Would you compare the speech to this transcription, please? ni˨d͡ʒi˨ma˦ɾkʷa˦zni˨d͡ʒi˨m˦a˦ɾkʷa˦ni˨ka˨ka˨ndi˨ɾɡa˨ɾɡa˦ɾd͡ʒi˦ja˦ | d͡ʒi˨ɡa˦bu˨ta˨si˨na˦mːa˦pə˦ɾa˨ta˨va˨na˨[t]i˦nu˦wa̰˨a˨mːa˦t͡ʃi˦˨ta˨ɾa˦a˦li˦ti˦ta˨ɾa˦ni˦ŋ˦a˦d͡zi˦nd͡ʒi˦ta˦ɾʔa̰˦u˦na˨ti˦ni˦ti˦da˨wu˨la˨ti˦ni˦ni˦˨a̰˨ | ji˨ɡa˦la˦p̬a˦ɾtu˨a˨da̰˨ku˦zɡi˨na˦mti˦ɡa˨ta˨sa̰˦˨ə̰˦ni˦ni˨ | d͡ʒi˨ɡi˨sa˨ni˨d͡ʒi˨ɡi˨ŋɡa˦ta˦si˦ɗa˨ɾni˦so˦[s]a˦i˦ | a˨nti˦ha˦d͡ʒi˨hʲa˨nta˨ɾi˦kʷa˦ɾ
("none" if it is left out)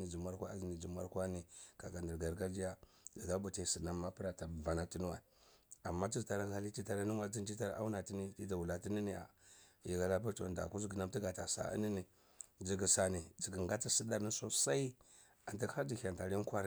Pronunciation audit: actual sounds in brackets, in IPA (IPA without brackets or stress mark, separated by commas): t, s